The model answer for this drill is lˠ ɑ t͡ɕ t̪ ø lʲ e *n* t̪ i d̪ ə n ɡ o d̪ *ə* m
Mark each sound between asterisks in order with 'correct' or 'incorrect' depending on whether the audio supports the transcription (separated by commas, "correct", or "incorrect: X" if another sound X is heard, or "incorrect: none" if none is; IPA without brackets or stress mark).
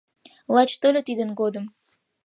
incorrect: none, correct